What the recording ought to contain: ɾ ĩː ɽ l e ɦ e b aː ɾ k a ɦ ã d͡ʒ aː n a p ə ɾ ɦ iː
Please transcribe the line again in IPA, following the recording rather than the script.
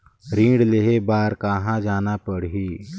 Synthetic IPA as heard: ɾ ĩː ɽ l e ɦ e b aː ɾ k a ɦ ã d͡ʒ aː n a p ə ɽ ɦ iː